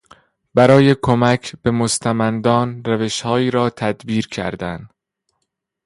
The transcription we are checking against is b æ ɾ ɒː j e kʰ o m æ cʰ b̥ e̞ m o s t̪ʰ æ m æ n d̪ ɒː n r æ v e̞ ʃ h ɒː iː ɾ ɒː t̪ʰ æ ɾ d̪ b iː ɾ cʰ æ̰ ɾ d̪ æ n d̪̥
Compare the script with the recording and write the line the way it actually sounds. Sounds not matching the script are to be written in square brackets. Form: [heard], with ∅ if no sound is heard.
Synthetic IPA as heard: b æ ɾ ɒː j e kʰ o m æ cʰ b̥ e̞ m o s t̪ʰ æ m æ n d̪ ɒː n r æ v e̞ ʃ h ɒː iː ɾ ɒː t̪ʰ æ [∅] d̪ b iː ɾ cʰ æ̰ ɾ d̪ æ n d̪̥